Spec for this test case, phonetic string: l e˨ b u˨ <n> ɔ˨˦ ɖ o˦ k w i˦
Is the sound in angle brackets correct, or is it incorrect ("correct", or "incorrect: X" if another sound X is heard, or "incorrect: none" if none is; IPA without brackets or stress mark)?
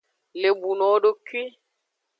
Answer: correct